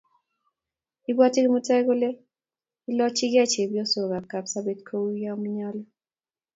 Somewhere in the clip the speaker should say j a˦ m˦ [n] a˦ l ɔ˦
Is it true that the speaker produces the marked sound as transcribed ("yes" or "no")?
no